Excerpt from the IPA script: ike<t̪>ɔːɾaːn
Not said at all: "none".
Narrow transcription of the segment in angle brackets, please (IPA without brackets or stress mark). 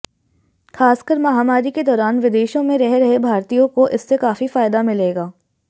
d̪